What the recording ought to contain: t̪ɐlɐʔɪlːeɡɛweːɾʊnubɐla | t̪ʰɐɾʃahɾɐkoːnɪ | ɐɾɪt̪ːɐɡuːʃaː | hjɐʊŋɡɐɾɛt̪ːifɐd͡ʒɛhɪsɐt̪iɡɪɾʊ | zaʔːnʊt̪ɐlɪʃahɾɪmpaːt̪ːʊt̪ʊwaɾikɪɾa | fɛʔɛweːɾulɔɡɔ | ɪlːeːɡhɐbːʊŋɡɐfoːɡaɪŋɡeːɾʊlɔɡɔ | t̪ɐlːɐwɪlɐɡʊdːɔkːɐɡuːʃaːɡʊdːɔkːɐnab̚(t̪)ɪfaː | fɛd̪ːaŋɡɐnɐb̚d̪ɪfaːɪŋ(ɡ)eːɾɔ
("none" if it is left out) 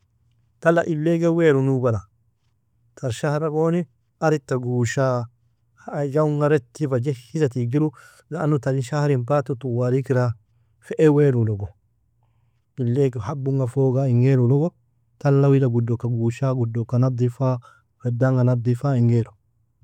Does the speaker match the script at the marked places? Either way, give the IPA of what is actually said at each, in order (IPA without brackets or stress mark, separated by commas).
d̪, ɡ